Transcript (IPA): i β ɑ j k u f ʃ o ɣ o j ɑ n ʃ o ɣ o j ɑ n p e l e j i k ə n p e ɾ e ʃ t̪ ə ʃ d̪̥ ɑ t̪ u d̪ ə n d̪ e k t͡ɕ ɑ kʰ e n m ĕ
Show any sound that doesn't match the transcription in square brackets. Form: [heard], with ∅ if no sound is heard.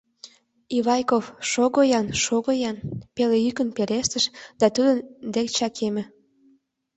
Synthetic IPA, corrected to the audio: i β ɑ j k [o] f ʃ o ɣ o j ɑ n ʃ o ɣ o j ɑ n p e l e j [y] k ə n p e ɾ e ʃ t̪ ə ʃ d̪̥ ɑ t̪ u d̪ ə n d̪ e k t͡ɕ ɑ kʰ e [∅] m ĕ